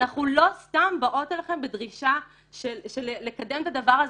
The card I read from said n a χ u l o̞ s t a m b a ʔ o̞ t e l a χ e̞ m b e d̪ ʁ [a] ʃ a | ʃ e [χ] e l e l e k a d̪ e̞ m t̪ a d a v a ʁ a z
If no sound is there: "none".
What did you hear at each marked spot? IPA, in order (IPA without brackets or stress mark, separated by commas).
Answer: i, ʃ